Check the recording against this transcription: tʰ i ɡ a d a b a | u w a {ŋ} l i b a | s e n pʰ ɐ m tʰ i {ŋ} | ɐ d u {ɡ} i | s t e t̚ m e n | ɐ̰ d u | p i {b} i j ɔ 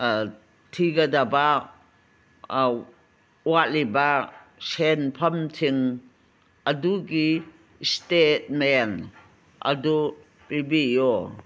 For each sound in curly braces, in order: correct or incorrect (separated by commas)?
incorrect, correct, correct, correct